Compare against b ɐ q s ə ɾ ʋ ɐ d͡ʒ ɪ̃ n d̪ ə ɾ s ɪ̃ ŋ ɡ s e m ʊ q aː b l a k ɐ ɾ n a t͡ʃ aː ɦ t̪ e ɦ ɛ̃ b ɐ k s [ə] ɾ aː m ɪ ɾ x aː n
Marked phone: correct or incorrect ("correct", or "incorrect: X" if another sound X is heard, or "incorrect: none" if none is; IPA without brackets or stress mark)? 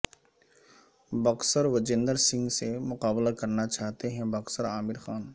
correct